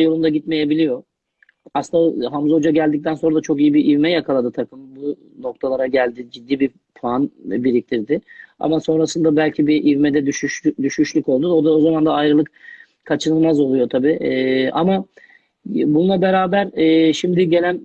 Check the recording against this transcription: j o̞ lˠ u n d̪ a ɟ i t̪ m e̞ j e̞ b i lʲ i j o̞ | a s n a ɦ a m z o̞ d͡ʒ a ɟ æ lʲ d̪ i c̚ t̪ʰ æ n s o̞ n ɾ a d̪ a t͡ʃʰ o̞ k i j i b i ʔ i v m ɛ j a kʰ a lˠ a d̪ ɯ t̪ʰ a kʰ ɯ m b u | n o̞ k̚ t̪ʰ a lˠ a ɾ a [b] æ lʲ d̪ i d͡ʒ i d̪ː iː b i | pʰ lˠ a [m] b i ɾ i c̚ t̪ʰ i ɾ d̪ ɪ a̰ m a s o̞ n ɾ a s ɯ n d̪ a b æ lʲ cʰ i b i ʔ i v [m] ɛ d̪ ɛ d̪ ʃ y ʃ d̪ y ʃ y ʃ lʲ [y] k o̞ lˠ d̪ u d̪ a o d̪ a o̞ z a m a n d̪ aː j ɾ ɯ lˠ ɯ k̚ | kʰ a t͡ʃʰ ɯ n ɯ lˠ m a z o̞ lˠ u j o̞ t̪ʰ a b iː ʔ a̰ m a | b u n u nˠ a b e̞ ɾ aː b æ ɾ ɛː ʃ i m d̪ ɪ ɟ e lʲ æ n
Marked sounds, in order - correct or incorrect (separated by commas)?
incorrect, incorrect, correct, correct